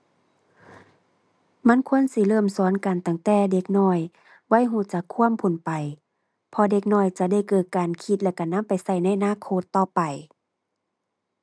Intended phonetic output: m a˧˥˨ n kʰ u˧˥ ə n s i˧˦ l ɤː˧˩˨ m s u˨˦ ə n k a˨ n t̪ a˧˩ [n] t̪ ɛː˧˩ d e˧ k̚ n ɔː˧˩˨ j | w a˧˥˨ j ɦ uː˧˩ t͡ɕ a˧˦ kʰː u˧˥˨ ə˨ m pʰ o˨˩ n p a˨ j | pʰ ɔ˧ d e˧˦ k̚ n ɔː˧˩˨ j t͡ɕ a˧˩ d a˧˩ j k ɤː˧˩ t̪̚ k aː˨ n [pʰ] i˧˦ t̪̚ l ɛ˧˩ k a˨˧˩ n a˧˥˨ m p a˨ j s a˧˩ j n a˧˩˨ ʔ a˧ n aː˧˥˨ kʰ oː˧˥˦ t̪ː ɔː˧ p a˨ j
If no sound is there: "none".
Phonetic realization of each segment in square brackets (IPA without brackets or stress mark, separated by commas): ŋ, kʰ